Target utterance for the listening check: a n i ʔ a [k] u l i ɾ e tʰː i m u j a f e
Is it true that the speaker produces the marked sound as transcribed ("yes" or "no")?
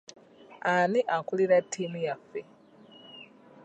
yes